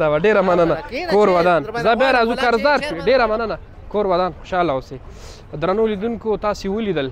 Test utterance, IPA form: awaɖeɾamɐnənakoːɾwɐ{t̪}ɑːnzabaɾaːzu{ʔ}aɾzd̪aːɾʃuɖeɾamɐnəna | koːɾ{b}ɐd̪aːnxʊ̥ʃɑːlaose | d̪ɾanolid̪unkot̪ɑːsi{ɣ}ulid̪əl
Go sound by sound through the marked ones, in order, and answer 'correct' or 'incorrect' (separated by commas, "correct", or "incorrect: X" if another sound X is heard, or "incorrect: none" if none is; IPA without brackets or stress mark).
incorrect: d̪, incorrect: k, incorrect: w, incorrect: w